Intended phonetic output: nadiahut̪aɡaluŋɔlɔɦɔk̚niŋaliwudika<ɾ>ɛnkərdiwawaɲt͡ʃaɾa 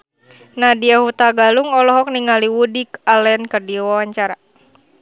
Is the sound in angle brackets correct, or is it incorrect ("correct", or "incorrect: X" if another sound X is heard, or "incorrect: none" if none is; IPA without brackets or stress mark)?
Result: incorrect: l